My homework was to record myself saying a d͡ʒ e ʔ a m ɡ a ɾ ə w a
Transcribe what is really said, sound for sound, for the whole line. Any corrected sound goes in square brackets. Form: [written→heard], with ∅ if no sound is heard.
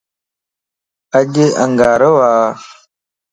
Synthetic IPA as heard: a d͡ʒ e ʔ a [m→ŋ] ɡ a ɾ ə w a